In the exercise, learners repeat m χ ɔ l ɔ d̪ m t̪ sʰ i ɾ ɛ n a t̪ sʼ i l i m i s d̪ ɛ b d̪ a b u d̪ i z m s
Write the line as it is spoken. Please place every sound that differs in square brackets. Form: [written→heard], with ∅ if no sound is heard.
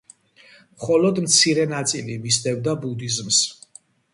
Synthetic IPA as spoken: m χ ɔ l ɔ d̪ m t̪ sʰ i ɾ ɛ n a t̪ sʼ i l i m i s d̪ ɛ [b→v] d̪ a b u d̪ i z m s